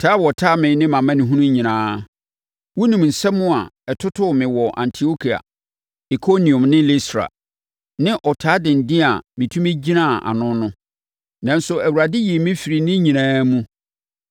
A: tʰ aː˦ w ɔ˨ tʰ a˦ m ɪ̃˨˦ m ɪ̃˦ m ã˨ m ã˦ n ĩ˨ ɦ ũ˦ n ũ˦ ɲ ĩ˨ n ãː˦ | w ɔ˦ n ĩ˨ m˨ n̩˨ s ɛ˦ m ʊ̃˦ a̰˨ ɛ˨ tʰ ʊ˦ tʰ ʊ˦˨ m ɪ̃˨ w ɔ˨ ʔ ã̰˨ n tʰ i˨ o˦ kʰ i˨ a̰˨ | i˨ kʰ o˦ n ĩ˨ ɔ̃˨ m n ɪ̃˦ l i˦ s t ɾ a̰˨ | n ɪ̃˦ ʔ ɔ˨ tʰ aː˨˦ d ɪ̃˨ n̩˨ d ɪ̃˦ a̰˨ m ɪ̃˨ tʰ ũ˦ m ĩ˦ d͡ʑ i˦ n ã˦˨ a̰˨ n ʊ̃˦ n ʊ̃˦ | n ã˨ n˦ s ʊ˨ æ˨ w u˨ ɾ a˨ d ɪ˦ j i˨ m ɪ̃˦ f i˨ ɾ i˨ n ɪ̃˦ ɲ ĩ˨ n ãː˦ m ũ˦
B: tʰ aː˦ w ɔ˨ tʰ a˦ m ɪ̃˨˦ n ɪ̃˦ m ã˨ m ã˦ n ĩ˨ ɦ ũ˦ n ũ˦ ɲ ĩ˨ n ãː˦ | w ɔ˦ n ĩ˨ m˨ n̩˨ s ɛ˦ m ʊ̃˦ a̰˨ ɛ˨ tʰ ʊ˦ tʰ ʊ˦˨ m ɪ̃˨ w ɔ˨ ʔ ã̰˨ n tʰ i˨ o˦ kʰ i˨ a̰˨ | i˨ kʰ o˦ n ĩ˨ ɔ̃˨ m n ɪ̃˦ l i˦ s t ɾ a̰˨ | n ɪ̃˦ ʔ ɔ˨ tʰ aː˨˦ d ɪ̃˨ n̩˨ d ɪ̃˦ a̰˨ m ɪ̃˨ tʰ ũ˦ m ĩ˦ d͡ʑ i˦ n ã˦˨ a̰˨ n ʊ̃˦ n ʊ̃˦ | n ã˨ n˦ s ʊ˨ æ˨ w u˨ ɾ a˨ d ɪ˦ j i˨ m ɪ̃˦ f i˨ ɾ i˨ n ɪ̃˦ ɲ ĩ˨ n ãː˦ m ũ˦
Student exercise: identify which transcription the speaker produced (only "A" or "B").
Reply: B